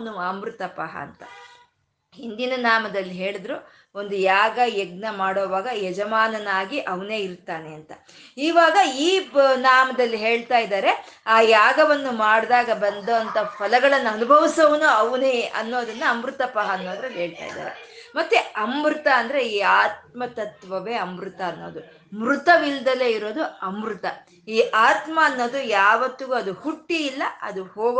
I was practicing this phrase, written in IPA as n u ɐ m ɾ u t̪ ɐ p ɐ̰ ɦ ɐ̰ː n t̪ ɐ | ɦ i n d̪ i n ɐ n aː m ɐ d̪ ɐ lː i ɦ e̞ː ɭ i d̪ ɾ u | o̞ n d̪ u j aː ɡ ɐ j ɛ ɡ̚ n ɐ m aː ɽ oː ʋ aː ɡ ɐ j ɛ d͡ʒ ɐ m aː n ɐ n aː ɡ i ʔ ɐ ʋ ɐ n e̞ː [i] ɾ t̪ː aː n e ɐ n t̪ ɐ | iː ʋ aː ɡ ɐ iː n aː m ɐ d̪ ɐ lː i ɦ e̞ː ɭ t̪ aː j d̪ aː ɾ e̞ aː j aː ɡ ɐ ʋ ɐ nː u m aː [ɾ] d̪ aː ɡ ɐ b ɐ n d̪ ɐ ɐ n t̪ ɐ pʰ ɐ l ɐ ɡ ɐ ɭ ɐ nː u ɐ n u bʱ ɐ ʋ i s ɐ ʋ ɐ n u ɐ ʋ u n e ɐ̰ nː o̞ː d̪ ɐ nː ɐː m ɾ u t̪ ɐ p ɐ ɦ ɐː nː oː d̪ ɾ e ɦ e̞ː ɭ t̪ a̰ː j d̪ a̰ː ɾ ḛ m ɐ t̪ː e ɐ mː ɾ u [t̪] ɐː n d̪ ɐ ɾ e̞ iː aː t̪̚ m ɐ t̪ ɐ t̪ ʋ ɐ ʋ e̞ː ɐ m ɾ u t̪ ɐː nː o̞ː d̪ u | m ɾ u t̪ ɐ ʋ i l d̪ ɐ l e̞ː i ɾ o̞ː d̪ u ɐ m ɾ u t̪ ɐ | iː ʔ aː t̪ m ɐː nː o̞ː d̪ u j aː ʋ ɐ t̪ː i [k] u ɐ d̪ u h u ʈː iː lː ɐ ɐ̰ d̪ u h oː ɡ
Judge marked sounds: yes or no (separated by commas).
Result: yes, no, yes, no